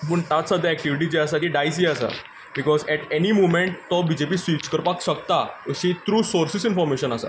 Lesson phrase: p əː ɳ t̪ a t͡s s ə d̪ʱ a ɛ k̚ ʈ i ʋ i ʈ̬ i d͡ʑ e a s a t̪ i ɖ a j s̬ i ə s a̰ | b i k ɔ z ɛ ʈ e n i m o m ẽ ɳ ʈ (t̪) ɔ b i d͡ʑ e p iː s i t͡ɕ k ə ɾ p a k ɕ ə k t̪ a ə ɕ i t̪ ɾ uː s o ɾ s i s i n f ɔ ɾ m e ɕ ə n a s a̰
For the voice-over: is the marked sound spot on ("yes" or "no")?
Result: yes